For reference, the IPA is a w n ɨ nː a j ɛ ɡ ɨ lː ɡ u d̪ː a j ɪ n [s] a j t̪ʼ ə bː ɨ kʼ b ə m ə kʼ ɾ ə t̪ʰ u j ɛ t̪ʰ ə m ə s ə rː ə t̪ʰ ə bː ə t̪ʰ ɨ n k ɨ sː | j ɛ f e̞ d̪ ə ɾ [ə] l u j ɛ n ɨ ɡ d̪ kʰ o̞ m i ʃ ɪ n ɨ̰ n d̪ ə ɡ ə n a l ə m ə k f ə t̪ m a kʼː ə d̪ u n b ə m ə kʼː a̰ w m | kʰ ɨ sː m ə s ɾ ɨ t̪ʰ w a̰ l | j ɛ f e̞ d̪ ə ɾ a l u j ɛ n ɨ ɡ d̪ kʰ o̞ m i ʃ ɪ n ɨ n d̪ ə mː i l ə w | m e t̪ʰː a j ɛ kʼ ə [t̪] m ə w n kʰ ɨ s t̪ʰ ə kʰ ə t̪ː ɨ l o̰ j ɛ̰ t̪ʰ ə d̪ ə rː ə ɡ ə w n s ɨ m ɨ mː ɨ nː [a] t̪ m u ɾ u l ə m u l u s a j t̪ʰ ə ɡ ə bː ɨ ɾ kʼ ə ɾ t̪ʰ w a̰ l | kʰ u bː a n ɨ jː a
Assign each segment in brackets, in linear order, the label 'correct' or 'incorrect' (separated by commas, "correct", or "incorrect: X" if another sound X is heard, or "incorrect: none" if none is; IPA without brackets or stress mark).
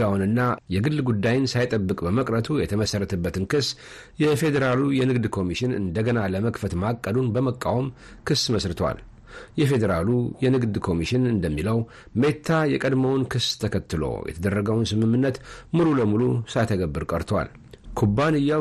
correct, incorrect: a, incorrect: d̪, incorrect: ə